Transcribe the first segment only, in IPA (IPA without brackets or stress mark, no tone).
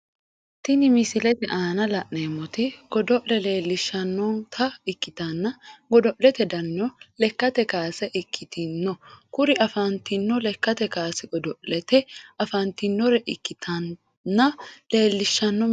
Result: t̪